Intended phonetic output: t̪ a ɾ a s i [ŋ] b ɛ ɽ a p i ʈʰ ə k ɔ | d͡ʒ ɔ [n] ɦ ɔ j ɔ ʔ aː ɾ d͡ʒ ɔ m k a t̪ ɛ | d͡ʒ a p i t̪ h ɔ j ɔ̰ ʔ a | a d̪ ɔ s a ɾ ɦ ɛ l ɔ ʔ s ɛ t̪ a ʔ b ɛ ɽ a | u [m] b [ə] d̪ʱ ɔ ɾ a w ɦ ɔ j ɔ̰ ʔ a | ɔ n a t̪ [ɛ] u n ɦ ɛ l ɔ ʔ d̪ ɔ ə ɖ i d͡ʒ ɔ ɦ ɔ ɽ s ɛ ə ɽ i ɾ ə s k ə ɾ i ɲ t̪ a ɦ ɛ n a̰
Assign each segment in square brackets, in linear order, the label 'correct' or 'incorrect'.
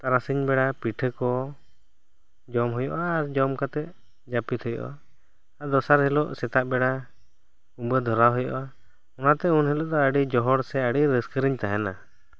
incorrect: ɲ, incorrect: m, correct, correct, correct

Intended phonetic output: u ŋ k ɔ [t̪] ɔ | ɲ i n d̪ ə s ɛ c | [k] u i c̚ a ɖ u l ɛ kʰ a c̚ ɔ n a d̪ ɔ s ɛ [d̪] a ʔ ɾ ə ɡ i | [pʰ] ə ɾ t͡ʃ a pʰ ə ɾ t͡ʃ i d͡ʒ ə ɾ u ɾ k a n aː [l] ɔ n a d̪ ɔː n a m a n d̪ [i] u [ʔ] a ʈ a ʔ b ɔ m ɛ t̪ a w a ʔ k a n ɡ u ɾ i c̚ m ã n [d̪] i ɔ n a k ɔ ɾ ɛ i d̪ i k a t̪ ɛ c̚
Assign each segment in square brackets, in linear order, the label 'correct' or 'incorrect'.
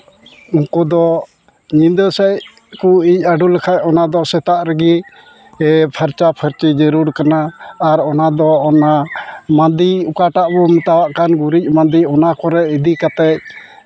incorrect: d̪, correct, incorrect: t̪, correct, incorrect: ɾ, correct, incorrect: k, correct

